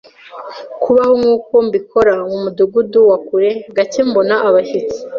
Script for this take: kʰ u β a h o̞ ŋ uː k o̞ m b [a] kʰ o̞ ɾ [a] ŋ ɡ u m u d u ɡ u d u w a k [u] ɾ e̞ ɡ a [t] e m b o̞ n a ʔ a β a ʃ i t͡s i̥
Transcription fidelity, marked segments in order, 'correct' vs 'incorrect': incorrect, correct, correct, incorrect

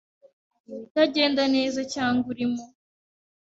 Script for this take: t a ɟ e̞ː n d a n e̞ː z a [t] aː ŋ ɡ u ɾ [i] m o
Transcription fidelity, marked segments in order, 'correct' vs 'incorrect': incorrect, correct

